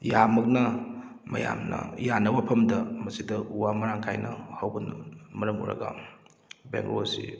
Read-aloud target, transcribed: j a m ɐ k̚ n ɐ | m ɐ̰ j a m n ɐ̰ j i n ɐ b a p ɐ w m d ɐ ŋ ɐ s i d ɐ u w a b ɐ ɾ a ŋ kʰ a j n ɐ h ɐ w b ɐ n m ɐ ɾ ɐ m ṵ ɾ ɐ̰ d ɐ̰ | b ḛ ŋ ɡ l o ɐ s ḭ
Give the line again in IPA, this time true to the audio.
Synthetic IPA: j a m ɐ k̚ n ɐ | m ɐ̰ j a m n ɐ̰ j a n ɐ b a pʰ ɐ m d ɐ m ɐ s i d ɐ u w a m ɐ ɾ a ŋ kʰ a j n ɐ h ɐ w b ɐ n m ɐ ɾ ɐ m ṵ ɾ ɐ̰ ɡ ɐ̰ | b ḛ ŋ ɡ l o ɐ s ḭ